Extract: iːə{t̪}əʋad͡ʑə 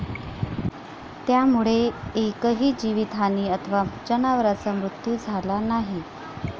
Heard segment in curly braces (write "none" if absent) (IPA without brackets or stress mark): t̪ʰ